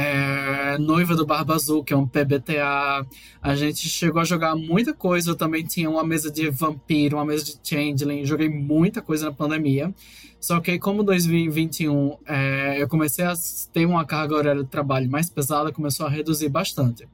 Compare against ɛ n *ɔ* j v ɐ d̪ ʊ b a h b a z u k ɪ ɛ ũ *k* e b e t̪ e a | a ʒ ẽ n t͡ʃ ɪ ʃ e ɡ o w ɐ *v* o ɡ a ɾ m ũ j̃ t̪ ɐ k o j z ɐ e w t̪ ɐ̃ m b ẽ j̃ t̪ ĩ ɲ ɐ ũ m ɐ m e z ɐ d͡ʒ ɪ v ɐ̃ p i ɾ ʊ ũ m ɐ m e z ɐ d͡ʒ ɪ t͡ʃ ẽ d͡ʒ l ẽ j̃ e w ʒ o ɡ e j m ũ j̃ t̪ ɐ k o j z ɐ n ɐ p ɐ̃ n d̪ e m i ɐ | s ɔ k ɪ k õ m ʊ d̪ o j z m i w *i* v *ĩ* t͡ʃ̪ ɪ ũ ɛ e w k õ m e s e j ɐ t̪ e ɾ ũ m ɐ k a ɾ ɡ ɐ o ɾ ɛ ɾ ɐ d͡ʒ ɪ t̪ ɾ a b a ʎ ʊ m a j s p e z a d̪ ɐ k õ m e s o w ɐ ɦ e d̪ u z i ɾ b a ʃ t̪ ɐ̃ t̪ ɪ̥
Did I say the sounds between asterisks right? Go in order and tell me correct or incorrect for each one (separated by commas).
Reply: incorrect, incorrect, incorrect, correct, correct